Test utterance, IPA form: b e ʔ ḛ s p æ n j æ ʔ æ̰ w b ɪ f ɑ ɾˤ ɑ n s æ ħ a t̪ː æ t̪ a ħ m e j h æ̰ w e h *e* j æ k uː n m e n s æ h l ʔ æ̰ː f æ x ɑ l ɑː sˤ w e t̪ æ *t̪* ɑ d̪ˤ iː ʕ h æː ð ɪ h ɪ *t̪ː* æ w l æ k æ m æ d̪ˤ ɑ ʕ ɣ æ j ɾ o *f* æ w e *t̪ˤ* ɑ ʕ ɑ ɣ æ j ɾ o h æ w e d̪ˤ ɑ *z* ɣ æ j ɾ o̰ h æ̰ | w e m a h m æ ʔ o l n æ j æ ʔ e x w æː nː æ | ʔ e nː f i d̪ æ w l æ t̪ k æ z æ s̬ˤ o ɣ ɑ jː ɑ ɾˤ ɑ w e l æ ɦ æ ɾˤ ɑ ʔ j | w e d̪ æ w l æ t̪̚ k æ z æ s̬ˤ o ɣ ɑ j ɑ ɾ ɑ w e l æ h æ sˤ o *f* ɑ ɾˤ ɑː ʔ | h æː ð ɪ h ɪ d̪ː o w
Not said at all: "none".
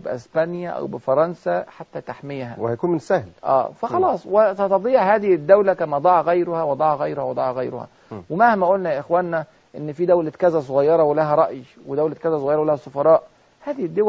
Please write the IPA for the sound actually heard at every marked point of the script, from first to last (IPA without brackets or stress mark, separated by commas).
æ, t̪, d̪ː, h, d̪ˤ, ʕ, f